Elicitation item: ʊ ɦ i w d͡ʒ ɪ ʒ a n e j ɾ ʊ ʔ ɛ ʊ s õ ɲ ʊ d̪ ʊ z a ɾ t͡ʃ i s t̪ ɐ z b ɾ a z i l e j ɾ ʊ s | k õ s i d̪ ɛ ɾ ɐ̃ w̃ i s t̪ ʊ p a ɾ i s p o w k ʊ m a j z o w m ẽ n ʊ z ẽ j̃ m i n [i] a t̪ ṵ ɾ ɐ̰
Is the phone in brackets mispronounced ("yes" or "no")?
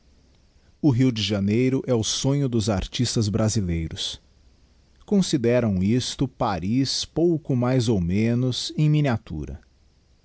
no